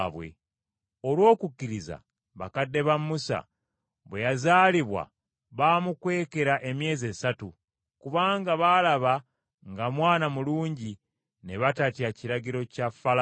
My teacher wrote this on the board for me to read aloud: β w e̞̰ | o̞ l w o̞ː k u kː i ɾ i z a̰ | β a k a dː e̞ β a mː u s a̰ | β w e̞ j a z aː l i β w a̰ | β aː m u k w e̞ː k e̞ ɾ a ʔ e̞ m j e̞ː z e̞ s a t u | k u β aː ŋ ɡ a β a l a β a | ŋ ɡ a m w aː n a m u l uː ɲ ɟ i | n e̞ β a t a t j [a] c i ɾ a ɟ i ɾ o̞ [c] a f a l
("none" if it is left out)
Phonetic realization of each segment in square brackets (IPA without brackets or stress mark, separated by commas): a, c